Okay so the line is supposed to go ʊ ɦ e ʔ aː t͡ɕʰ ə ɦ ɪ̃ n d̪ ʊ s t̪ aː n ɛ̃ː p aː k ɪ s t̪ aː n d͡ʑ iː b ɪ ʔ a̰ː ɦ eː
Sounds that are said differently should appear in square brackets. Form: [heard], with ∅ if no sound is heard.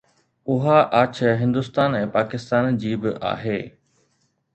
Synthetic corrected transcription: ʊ ɦ [a] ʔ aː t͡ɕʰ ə ɦ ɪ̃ n d̪ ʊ s t̪ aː n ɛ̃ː p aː k ɪ s t̪ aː n d͡ʑ iː b ɪ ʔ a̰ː ɦ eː